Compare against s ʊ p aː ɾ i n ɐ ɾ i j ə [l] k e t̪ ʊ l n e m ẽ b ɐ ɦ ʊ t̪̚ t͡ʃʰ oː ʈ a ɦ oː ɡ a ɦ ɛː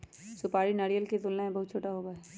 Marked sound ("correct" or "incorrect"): correct